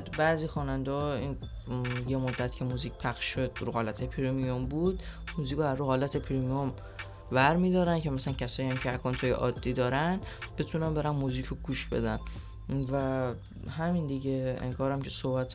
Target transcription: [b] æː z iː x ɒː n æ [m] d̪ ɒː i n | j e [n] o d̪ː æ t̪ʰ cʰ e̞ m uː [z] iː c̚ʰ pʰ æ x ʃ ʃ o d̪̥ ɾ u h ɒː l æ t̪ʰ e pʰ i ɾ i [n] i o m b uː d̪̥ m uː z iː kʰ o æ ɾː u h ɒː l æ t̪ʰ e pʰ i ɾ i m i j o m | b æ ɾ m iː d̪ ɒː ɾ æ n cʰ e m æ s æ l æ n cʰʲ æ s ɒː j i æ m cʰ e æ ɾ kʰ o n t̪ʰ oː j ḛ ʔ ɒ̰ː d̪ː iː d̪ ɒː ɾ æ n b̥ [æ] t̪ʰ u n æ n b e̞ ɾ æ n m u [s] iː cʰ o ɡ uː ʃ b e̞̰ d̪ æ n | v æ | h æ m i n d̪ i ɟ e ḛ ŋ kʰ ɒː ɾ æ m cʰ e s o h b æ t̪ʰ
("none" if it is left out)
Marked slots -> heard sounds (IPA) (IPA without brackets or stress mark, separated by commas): b, n, m, z, m, e, z